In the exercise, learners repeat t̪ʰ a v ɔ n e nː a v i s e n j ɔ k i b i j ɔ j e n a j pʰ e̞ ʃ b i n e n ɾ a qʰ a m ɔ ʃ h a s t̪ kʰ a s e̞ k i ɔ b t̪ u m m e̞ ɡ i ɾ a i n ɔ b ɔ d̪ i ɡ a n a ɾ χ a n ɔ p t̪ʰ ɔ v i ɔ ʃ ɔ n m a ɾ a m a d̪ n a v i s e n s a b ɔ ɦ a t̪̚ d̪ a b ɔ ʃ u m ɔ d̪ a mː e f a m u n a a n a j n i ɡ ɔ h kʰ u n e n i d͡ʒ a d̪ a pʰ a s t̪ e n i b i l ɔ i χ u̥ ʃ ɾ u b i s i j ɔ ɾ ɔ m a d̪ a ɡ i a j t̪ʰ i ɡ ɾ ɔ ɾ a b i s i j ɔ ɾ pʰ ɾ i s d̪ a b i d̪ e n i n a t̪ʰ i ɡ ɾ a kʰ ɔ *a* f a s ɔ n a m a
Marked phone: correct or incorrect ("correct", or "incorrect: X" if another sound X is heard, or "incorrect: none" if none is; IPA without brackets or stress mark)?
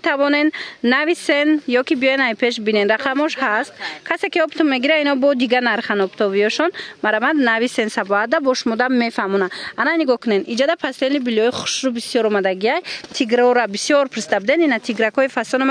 incorrect: i